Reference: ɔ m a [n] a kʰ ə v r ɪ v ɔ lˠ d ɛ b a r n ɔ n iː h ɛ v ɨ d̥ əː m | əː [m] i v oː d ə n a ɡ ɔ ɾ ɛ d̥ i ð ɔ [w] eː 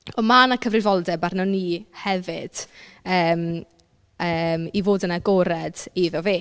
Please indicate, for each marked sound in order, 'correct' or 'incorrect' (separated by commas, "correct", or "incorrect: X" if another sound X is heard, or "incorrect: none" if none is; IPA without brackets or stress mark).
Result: correct, correct, incorrect: v